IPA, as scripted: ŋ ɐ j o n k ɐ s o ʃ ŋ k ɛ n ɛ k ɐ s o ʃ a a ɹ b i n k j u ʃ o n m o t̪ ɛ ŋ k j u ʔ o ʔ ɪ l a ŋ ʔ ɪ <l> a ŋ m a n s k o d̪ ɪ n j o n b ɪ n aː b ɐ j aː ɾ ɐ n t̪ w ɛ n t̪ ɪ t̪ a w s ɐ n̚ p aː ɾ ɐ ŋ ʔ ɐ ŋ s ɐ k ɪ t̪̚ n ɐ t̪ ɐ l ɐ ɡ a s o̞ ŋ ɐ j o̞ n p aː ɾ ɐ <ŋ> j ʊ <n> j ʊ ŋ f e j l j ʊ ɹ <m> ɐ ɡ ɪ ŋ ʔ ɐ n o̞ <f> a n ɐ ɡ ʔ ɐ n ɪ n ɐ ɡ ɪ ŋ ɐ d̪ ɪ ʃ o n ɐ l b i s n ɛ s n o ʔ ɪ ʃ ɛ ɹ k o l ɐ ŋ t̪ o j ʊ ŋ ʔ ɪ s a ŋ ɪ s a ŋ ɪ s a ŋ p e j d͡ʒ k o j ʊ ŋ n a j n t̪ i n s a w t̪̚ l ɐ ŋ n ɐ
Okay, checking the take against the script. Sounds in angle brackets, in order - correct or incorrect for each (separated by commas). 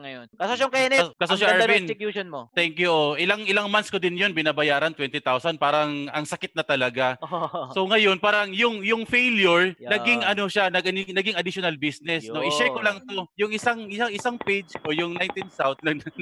correct, correct, incorrect, incorrect, incorrect